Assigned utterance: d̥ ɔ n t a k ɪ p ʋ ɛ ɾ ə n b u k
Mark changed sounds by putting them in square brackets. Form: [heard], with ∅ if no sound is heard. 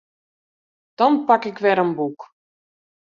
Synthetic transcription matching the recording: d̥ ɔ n [p] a k ɪ [k] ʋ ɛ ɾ ə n b u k